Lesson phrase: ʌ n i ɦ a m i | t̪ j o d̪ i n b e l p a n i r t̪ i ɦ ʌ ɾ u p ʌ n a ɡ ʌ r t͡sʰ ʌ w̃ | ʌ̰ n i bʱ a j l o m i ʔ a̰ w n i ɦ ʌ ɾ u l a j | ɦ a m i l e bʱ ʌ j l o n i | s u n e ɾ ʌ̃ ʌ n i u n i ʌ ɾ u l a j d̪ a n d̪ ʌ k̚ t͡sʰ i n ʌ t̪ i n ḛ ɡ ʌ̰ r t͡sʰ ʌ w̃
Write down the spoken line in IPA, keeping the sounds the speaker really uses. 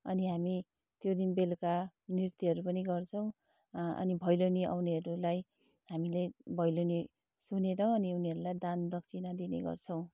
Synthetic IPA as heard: ʌ n i ɦ a m i | t̪ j o d̪ i n b e l k a n i r t̪ i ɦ ʌ ɾ u p ʌ n i ɡ ʌ r t͡sʰ ʌ w̃ | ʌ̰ n i bʱ ʌ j l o n i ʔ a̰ w n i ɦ ʌ ɾ u l a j | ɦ a m i l e bʱ ʌ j l o n i | s u n e ɾ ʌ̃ ʌ n i u n i ʌ ɾ u l a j d̪ a n d̪ ʌ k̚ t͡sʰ i n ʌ d̪ i n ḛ ɡ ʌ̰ r t͡sʰ ʌ w̃

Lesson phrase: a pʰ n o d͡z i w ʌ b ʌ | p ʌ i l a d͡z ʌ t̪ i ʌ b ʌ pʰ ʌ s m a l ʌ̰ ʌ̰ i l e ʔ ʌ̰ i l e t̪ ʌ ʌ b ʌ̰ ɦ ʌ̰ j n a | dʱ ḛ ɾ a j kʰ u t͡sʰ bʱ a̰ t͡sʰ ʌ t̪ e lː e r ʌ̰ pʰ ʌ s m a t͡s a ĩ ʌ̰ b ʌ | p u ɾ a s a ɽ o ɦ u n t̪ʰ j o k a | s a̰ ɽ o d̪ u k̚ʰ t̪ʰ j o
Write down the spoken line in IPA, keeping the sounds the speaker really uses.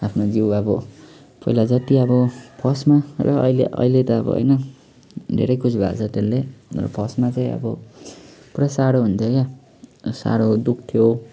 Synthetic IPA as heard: a pʰ n o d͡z i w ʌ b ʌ | p ʌ i l a d͡z ʌ t̪ i ʌ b ʌ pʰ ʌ s m a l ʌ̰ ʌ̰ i l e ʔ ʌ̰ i l e t̪ ʌ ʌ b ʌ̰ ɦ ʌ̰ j n ʌ | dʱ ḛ ɾ ʌ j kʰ u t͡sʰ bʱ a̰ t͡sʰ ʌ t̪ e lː e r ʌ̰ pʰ ʌ s m a t͡s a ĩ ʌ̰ b ʌ | p u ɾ a s a ɽ o ɦ u n t̪ʰ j o k a | s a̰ ɽ o d̪ u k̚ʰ t̪ʰ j o

